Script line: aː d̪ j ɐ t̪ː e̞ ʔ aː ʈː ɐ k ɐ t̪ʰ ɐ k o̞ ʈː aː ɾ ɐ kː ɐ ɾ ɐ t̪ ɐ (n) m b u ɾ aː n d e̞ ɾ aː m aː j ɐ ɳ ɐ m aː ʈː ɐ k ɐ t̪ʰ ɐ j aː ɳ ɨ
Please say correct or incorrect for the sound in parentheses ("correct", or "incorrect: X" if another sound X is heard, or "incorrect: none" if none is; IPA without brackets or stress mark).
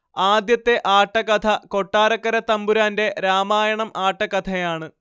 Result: incorrect: none